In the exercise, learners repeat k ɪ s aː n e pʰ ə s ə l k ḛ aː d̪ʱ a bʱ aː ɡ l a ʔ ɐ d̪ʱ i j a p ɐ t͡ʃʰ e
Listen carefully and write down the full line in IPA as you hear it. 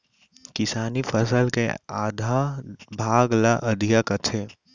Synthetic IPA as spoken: k ɪ s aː n i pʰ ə s ə l k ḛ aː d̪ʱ a bʱ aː ɡ l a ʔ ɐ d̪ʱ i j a k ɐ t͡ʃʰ e

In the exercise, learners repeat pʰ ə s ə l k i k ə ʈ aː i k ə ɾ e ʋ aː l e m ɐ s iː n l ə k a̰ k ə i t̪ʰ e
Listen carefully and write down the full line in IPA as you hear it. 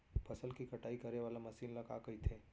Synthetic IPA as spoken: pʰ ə s ə l k i k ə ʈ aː i k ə ɾ e ʋ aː l a m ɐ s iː n l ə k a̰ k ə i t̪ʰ e

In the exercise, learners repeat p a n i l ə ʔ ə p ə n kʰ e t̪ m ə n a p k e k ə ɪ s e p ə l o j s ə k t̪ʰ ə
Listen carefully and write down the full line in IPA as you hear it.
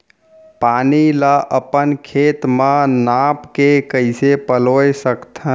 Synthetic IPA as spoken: p a n i l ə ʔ ə p ə n kʰ e t̪ m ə n a p k e k ə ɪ s e p ə l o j s ə k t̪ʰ ə

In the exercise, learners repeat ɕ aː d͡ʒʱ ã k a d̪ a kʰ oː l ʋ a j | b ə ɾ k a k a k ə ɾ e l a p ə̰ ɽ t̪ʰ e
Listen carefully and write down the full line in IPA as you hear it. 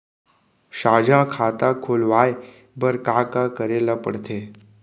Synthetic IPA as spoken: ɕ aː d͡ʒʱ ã kʰ a t̪ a kʰ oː l ʋ a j | b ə ɾ k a k a k ə ɾ e l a p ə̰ ɽ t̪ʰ e

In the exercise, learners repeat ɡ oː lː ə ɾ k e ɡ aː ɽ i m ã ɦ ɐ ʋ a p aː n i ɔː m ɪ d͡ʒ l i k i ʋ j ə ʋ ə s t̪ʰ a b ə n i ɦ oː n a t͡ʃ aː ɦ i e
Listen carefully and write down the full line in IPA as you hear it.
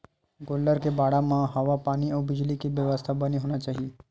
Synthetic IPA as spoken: ɡ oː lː ə ɾ k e b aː ɽ a m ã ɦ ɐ ʋ a p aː n i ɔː b ɪ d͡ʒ l i k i ʋ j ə ʋ ə s t̪ʰ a b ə n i ɦ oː n a t͡ʃ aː ɦ i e

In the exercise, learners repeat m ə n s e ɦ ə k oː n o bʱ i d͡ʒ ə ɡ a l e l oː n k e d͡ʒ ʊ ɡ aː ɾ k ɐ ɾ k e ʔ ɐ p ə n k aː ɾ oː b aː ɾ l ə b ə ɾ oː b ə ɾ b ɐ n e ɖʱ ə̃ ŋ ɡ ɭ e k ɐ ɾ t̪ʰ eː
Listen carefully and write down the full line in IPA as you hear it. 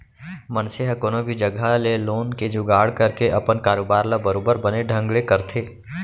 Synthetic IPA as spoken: m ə n s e ɦ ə k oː n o bʱ i d͡ʒ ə ɡ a l e l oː n k e d͡ʒ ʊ ɡ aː ɽ k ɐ ɾ k e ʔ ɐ p ə n k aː ɾ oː b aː ɾ l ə b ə ɾ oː b ə ɾ b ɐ n e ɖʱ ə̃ ŋ ɡ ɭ e k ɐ ɾ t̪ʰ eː

